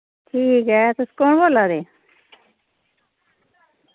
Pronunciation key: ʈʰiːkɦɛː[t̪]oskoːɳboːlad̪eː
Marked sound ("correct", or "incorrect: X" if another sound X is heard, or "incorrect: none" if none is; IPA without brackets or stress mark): correct